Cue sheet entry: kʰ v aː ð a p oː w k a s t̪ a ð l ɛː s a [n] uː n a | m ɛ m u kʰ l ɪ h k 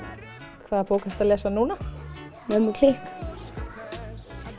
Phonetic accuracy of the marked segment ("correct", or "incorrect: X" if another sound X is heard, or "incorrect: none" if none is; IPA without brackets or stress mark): correct